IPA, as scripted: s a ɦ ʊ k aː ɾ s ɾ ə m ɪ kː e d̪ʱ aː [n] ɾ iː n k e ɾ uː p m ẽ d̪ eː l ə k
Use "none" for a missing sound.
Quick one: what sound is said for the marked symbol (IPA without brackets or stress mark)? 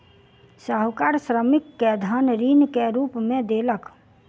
n